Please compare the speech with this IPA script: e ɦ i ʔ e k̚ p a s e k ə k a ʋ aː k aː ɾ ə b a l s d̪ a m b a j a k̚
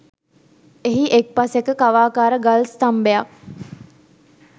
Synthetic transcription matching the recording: e ɦ i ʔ e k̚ p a s e k ə k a ʋ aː k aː ɾ ə ɡ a l s t̪ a m b e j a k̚